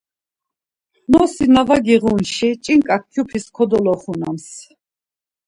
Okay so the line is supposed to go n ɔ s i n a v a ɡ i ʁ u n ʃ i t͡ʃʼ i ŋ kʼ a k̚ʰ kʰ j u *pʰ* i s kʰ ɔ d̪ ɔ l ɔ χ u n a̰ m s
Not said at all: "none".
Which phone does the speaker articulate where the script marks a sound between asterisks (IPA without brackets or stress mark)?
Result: pʰ